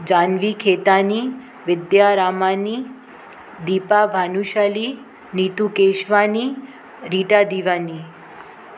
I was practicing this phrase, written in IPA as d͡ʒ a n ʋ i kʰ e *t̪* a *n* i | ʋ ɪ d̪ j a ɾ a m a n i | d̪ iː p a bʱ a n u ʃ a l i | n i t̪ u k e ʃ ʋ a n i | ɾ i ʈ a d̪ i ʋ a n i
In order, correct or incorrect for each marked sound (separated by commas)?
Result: correct, correct